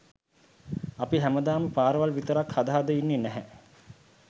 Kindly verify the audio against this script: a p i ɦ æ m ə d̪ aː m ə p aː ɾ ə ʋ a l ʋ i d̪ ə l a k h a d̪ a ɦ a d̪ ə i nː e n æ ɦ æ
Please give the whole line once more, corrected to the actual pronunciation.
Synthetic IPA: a p i ɦ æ m ə d̪ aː m ə p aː ɾ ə ʋ a l ʋ i t̪ ə ɾ a k h a d̪ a ɦ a d̪ ə i nː e n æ ɦ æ